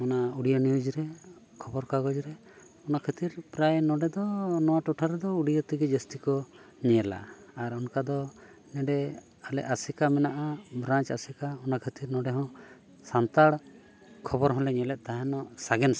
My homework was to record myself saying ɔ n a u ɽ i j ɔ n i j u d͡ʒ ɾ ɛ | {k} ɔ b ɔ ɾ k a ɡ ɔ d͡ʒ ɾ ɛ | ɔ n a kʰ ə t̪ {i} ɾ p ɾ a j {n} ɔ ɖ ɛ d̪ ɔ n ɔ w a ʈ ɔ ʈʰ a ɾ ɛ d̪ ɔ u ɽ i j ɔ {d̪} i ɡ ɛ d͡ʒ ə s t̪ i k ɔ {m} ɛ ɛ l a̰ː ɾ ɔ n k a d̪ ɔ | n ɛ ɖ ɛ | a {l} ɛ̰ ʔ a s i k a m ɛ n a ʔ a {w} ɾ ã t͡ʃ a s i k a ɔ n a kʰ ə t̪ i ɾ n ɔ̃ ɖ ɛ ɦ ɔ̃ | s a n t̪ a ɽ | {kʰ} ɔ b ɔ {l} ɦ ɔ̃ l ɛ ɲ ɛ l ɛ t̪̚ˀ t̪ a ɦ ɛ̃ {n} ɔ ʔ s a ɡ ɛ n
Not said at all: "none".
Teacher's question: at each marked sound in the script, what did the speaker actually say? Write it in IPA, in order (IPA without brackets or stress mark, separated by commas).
kʰ, i, n, t̪, ɲ, l, b, kʰ, ɾ, n